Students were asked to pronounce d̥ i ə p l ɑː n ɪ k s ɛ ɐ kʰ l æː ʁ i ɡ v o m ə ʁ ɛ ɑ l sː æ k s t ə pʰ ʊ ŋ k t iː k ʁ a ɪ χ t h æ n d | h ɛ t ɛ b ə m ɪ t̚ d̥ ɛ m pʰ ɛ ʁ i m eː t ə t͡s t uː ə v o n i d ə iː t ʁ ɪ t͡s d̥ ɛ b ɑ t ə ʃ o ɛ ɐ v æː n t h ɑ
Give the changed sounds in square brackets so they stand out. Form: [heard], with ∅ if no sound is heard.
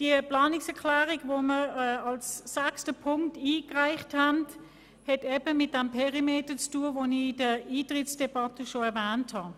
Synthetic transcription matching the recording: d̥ i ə p l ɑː n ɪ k s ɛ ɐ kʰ l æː ʁ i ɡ v o m ə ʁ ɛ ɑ l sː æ k s t ə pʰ ʊ ŋ k t iː k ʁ a ɪ χ t h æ n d | h ɛ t ɛ b ə m ɪ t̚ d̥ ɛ m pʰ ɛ ʁ i m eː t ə t͡s t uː ə v o n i d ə iː t ʁ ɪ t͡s d̥ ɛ b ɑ t ə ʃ o ɛ ɐ v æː n t h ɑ